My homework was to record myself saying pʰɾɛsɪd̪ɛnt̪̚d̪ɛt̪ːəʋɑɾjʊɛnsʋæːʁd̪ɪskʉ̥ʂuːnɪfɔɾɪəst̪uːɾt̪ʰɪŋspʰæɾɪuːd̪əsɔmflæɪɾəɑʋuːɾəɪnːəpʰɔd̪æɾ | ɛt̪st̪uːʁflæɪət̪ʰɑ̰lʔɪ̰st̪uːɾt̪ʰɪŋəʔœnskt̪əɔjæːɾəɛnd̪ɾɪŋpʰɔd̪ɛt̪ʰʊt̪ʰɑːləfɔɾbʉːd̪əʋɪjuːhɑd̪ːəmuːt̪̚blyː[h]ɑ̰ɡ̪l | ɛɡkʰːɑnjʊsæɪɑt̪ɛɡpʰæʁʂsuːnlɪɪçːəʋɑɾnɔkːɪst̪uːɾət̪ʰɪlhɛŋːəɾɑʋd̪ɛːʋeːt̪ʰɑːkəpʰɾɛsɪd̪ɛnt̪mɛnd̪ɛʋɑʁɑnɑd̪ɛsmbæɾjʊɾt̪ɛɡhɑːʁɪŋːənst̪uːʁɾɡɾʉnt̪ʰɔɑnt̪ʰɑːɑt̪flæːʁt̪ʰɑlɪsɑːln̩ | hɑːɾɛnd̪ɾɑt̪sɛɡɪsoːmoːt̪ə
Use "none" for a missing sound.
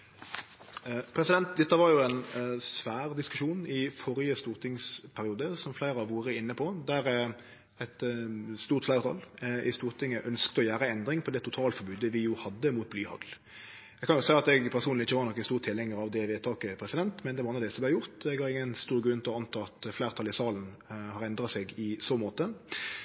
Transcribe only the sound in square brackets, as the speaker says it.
h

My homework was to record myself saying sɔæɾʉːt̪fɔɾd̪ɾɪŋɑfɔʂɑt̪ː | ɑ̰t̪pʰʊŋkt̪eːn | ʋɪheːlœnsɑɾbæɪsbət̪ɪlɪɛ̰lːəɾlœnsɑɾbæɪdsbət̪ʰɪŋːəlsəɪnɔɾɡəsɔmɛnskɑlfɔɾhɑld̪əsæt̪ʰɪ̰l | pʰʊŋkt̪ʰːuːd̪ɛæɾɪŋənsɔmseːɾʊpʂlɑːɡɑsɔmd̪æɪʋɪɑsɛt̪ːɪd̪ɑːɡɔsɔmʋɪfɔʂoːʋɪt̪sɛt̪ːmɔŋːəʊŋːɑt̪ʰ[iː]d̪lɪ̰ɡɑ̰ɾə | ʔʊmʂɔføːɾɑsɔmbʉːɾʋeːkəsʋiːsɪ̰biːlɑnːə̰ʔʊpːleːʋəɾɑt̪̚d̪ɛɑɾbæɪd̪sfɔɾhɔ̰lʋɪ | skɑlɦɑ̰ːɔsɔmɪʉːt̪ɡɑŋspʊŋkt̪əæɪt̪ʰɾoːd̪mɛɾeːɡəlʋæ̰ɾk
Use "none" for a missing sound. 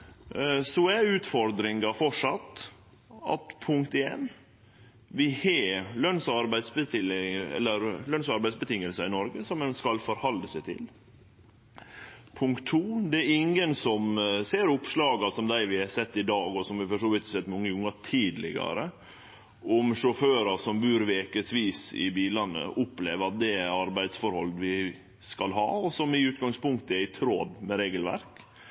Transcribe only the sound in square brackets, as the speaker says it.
iː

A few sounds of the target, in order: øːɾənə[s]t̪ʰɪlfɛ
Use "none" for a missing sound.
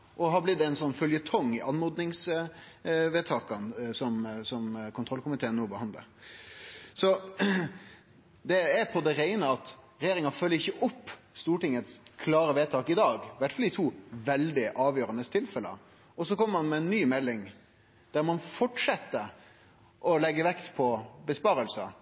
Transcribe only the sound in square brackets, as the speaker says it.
s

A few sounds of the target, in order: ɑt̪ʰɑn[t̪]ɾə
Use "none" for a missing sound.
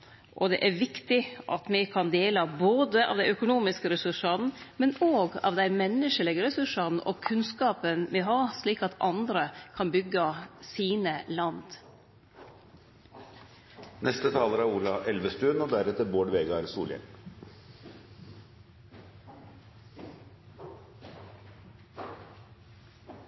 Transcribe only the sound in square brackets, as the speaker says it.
d̪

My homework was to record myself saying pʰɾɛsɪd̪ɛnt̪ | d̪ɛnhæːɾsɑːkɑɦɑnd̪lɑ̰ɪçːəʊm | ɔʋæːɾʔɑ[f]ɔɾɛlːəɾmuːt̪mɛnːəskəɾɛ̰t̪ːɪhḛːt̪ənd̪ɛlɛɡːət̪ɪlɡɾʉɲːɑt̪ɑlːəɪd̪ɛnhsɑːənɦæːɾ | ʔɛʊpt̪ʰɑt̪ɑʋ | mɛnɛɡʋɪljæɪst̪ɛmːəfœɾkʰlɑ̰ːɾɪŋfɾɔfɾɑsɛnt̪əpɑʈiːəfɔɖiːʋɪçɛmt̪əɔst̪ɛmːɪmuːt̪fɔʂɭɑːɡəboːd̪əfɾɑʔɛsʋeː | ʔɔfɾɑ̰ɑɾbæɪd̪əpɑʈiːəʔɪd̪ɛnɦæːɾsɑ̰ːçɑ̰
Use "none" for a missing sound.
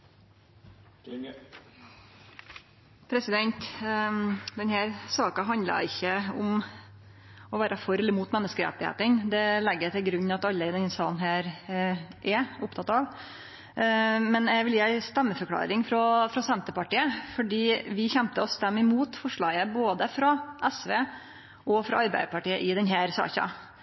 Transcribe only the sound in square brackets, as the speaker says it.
f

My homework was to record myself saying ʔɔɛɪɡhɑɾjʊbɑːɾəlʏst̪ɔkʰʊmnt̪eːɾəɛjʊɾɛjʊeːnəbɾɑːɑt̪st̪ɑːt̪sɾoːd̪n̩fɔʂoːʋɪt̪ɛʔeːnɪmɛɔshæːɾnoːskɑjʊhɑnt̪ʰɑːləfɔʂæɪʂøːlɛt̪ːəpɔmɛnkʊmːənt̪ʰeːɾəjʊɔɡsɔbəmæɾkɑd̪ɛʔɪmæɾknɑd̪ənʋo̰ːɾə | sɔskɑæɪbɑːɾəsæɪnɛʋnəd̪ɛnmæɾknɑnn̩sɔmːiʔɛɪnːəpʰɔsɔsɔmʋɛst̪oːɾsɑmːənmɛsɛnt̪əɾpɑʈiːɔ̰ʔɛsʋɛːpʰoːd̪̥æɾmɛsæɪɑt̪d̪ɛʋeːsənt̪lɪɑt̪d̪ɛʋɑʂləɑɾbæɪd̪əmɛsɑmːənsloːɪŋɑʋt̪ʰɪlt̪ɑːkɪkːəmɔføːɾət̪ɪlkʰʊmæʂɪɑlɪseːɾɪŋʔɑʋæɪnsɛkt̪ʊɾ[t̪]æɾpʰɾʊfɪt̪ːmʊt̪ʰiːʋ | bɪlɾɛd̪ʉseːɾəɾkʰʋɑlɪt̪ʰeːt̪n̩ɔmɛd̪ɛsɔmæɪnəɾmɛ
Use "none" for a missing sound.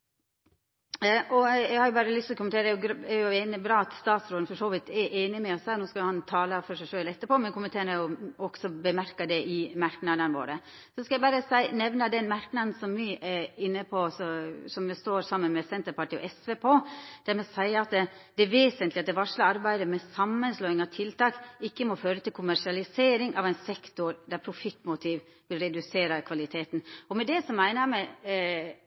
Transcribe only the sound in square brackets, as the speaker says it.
d̪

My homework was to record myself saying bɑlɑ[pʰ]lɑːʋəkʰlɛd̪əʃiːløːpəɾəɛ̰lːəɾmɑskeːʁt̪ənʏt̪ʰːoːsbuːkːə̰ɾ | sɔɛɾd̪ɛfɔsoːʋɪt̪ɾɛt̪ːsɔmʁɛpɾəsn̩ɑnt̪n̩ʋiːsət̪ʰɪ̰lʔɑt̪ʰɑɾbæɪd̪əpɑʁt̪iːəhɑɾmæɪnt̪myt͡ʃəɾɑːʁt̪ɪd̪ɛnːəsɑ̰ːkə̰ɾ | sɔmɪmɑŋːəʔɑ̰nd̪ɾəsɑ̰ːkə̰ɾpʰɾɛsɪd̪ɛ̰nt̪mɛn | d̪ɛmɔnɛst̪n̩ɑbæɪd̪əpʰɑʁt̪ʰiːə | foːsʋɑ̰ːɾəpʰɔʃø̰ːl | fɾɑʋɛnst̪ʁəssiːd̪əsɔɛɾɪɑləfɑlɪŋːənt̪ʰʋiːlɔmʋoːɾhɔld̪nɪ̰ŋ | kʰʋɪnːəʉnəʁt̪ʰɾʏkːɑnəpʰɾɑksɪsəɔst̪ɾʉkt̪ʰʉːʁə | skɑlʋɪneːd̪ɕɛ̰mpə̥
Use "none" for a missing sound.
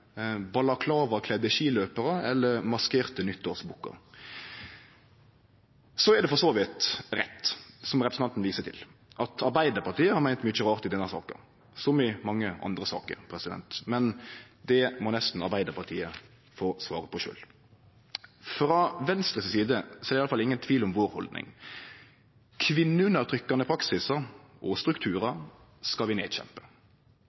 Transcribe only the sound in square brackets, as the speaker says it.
kʰ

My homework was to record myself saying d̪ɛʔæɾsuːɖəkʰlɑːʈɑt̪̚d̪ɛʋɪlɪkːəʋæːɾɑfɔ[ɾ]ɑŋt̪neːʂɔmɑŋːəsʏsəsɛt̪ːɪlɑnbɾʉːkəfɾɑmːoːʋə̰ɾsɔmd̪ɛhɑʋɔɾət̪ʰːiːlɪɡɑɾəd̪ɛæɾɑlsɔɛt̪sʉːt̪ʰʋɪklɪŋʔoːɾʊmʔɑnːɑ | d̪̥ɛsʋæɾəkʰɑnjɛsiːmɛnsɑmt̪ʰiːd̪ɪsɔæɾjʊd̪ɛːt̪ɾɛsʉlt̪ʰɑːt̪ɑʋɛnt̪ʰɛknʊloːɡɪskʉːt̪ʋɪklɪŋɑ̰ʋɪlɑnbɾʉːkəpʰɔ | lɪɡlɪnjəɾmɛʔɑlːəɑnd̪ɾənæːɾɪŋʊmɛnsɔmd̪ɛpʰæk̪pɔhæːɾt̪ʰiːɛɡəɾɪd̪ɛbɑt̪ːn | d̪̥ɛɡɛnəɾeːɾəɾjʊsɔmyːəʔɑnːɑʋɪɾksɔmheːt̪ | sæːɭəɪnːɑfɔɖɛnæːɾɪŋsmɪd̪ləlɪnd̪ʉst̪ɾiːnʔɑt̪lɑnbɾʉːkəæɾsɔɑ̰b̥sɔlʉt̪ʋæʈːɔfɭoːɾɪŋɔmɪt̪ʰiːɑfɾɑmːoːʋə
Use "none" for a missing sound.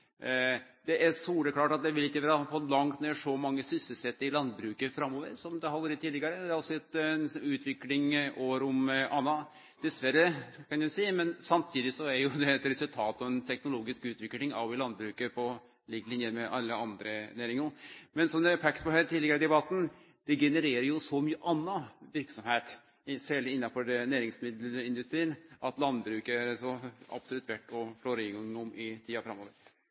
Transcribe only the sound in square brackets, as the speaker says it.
l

